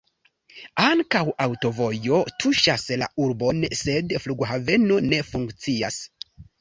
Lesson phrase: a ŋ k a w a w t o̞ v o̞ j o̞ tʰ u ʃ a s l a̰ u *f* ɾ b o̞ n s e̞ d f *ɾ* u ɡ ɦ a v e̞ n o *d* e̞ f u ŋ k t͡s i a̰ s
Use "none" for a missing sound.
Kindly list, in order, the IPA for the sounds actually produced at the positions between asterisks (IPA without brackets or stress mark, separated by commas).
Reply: none, l, n